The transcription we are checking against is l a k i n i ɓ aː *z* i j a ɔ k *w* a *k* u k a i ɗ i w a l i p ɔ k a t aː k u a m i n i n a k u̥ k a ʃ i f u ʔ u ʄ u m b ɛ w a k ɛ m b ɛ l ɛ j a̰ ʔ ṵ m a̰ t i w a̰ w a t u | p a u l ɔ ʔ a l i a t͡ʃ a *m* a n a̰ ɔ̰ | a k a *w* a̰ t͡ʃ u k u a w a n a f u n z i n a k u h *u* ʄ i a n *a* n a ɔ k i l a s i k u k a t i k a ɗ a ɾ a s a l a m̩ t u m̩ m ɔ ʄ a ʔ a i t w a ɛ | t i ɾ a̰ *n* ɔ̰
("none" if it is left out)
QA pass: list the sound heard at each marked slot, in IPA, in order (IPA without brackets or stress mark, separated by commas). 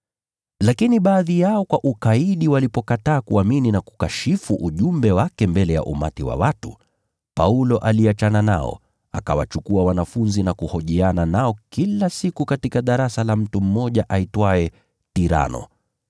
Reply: ð, w, ʔ, n, w, ɔ, a, n